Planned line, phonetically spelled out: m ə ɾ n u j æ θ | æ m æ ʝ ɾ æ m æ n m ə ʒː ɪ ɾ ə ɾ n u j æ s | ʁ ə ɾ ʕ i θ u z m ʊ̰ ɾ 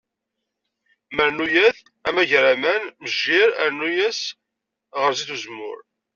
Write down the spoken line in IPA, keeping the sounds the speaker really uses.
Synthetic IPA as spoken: m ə ɾ n u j æ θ | æ m æ ʝ ɾ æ m æ n m ə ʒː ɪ ɾ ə ɾ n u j æ s | ʁ ə ɾ z i θ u z m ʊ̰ ɾ

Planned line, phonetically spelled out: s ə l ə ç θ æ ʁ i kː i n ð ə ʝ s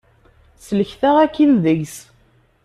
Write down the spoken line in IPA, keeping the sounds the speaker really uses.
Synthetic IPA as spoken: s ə l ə ç θ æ ʁ æ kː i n ð ə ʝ s

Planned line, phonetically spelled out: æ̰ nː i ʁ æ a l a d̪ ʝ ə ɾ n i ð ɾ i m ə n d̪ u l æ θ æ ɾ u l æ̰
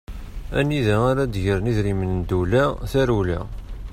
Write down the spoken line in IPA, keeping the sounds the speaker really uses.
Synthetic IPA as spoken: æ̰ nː i ð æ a ɾ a d̪ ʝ ə ɾ n i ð ɾ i m ə n d̪ u l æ θ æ ɾ u l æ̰

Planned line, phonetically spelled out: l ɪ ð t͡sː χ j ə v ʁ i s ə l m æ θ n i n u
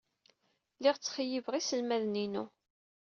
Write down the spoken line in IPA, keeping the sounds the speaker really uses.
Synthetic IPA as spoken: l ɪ ʁ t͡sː χ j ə v ʁ i s ə l m æ ð n i n u

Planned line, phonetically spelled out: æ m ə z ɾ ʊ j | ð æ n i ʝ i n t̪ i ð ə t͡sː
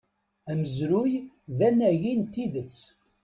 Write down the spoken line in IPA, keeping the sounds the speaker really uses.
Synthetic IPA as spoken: æ m ə z ɾ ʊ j | ð æ n æ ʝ i n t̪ i ð ə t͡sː

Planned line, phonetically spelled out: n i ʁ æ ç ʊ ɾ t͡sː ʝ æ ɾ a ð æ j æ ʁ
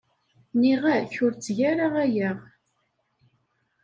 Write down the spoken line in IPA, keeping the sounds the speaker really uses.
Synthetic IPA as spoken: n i ʁ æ ç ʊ ɾ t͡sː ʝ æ ɾ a ʁ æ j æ ʁ

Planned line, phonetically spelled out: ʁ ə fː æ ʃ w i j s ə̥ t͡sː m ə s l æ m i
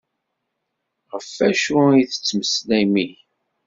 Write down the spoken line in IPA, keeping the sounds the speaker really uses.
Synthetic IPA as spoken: ʁ ə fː æ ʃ u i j θ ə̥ t͡sː m ə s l æ m i

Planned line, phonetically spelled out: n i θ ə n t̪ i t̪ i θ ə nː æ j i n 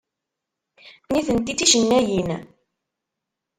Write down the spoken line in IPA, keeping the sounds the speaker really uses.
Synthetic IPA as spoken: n i θ ə n t̪ i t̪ i ʃ ə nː æ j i n

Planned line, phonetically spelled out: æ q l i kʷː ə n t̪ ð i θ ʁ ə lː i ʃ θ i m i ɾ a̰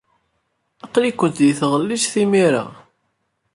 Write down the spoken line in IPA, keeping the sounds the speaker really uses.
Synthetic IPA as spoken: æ q l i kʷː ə n t̪ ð i θ ʁ ə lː i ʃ θ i m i ɾ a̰

